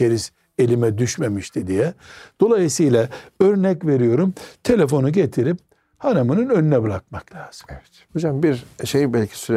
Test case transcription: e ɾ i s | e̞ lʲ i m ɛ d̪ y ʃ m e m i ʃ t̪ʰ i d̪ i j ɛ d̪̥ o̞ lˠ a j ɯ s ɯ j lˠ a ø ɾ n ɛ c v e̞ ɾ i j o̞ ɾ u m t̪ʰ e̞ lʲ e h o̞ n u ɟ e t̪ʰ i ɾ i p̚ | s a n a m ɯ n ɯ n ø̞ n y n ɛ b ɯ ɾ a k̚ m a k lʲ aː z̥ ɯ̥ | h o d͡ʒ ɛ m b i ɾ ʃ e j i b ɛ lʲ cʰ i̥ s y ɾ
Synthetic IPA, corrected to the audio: e ɾ i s | e̞ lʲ i m ɛ d̪ y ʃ m e m i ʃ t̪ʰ i d̪ i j ɛ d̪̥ o̞ lˠ a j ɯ s ɯ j lˠ a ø ɾ n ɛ c v e̞ ɾ i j o̞ ɾ u m t̪ʰ e̞ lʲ e f o̞ n u ɟ e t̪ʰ i ɾ i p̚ | h a n a m ɯ n ɯ n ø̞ n y n ɛ b ɯ ɾ a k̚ m a k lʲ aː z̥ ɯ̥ | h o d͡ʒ a m b i ɾ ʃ e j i b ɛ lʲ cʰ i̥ s y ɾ